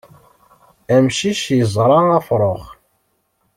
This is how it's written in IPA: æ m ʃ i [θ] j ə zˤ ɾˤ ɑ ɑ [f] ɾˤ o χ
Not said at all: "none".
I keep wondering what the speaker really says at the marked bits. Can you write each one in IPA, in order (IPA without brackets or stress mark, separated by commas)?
ʃ, f